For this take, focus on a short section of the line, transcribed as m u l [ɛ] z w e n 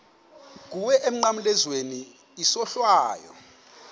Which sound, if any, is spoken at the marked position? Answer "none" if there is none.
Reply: ɛ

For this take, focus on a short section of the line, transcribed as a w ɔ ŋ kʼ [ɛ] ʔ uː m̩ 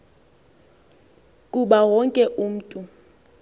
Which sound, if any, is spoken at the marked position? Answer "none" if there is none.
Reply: ɛ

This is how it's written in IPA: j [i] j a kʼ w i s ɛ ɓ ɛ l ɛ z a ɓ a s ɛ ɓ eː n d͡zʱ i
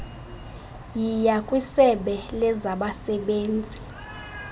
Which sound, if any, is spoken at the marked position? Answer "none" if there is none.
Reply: i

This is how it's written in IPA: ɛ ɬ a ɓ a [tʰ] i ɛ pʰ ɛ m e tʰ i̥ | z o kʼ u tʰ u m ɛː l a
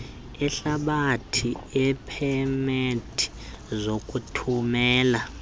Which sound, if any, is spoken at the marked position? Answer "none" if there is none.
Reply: tʰ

